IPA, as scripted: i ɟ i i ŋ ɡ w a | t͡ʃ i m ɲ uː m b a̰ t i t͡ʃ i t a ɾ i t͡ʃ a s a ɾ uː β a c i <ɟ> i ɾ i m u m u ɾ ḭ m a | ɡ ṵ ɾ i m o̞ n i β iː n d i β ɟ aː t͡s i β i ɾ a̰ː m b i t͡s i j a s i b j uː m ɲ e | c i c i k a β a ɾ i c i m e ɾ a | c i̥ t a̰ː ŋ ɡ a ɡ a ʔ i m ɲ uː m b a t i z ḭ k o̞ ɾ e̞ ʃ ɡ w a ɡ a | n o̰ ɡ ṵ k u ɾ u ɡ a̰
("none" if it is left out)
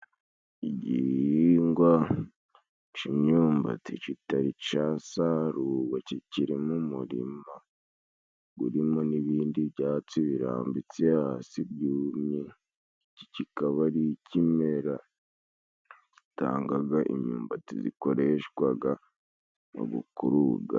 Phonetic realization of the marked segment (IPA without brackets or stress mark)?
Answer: c